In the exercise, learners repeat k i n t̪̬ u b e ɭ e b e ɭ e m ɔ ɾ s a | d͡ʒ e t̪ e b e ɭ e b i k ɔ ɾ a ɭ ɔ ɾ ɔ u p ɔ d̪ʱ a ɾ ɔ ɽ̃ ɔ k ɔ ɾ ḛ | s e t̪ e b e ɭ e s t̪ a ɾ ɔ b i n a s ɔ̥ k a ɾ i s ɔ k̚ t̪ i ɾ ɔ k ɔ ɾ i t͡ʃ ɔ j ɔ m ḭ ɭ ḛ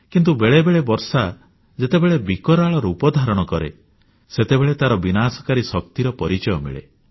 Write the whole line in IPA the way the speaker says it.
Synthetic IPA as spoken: k i n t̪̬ u b e ɭ e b e ɭ e b ɔ ɾ s a | d͡ʒ e t̪ e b e ɭ e b i k ɔ ɾ a ɭ ɔ ɾ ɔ u p ɔ d̪ʱ a ɾ ɔ ɽ̃ ɔ k ɔ ɾ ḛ | s e t̪ e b e ɭ e t̪ a ɾ ɔ b i n a s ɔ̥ k a ɾ i s ɔ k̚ t̪ i ɾ ɔ p ɔ ɾ i t͡ʃ ɔ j ɔ m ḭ ɭ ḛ